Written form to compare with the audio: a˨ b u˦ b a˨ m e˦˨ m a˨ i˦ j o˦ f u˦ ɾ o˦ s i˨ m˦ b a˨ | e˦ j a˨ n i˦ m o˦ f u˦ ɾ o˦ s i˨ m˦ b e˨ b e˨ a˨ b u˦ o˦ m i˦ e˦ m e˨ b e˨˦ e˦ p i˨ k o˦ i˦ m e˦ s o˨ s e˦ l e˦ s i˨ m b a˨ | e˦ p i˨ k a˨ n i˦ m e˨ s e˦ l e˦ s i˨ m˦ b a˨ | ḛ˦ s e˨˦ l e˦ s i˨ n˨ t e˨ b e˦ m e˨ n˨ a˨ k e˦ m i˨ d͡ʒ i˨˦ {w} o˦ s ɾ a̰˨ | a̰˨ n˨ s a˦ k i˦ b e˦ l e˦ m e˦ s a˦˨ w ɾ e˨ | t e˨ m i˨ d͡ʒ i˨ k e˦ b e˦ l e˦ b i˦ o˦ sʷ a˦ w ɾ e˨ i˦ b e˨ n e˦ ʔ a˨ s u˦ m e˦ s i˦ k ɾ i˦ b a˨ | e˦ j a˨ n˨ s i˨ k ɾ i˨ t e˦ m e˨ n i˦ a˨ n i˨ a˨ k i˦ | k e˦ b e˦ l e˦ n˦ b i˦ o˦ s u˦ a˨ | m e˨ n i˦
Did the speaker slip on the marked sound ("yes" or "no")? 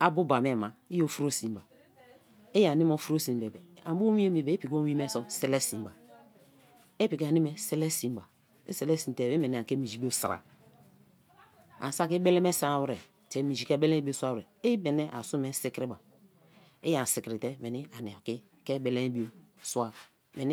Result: yes